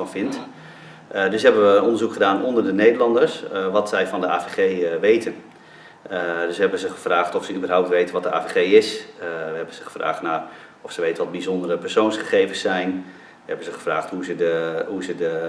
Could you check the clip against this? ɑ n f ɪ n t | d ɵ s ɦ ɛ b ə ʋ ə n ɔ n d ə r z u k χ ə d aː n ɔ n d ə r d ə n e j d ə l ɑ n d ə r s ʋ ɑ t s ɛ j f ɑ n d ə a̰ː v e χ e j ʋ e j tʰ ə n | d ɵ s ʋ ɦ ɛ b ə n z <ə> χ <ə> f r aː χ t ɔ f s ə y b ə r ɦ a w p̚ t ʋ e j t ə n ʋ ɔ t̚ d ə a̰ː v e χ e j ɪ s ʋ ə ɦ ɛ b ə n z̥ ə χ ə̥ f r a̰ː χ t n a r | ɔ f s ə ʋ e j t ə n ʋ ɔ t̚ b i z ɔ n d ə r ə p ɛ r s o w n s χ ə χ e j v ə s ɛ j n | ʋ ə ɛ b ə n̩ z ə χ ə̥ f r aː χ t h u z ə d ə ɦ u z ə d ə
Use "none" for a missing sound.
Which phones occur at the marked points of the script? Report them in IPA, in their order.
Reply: ə, ə

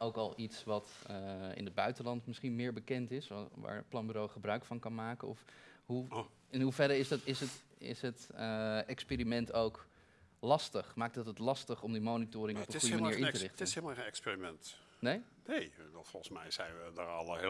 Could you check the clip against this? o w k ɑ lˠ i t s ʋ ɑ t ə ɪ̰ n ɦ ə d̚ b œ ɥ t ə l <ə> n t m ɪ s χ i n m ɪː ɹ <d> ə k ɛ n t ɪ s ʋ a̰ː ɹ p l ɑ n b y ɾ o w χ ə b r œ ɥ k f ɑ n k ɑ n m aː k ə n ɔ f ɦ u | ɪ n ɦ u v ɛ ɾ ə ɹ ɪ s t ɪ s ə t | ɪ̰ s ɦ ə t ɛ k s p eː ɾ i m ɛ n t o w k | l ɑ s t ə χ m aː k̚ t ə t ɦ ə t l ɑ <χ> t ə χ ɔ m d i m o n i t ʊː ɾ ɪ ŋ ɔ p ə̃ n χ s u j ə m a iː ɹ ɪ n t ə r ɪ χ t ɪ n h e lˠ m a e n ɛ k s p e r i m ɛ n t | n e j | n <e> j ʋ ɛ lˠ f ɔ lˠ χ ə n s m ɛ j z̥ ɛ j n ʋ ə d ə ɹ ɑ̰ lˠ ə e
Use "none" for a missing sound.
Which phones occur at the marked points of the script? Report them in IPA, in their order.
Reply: ɑ, b, s, e

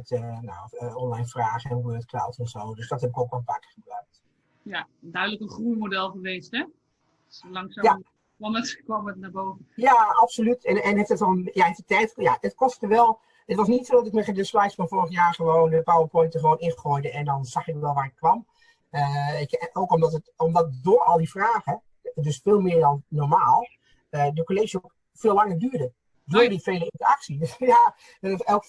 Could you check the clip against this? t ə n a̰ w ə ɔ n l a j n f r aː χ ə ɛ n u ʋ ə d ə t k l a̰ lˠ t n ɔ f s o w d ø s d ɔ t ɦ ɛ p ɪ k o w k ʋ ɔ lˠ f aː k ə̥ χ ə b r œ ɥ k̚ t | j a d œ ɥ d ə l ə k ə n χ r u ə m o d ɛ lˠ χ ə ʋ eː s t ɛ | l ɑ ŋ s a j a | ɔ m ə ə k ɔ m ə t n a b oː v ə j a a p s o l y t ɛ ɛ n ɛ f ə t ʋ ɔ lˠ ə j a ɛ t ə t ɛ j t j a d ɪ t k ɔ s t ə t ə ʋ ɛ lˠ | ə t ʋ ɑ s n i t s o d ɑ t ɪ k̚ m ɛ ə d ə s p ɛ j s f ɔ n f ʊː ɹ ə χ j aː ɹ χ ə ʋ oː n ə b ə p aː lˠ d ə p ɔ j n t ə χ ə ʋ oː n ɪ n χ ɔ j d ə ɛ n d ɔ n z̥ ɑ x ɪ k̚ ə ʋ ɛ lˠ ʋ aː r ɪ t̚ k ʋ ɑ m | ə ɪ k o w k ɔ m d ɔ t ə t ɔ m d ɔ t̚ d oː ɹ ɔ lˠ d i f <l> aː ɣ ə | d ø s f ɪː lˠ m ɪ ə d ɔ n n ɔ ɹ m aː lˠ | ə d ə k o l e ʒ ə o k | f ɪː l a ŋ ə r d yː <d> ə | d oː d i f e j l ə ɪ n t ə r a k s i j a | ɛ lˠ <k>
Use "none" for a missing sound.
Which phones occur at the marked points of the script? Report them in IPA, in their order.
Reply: r, d, k

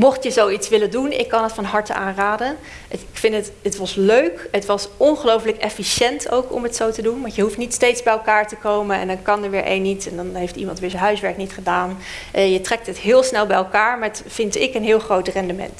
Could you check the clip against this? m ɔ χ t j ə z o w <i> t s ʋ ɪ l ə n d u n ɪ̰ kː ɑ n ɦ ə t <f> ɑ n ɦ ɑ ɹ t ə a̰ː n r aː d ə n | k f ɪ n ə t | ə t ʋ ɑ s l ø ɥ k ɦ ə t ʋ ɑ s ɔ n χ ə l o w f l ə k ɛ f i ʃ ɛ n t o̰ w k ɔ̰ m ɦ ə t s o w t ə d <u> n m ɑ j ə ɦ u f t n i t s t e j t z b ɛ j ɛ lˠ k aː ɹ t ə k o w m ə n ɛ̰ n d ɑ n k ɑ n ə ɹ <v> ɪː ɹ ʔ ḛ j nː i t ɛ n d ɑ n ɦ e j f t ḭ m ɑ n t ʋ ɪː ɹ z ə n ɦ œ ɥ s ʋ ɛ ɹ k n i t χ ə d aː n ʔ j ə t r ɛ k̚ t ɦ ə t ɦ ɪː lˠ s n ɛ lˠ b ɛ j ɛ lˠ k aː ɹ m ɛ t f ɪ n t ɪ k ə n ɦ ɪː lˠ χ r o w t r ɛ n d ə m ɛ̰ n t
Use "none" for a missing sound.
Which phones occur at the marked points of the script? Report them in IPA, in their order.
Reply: i, f, u, ʋ

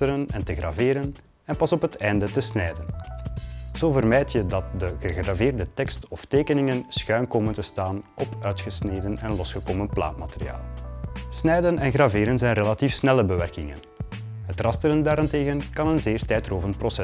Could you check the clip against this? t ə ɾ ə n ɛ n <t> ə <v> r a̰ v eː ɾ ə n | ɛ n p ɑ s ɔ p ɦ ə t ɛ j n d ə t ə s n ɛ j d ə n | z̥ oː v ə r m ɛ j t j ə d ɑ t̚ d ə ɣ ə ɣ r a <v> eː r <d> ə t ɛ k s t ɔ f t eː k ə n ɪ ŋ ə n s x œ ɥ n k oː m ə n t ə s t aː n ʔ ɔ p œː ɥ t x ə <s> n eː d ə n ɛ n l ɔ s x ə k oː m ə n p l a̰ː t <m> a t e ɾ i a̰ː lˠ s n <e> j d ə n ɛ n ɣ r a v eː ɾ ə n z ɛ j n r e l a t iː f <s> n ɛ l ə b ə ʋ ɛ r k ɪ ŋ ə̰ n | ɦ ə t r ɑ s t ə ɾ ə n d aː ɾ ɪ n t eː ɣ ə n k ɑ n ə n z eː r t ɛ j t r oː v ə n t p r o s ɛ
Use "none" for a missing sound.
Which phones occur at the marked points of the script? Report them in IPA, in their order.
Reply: t, ɣ, v, d, s, m, ɛ, s

